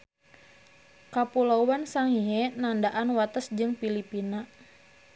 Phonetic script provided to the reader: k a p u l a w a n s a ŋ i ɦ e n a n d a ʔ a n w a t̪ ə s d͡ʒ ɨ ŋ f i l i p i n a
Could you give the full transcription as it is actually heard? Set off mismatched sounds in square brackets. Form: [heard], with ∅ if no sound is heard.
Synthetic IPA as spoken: k a p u l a w a n s a ŋ i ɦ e n a n d a ʔ a n w a t̪ ə s d͡ʒ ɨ ŋ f i l i p i n a